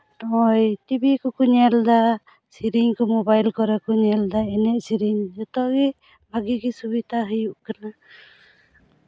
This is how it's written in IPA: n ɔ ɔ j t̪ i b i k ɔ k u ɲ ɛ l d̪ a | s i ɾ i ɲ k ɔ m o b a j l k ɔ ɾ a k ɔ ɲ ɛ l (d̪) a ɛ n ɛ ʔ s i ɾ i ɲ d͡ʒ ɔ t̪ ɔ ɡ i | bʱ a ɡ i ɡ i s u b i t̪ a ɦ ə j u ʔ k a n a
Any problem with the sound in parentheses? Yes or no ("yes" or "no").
no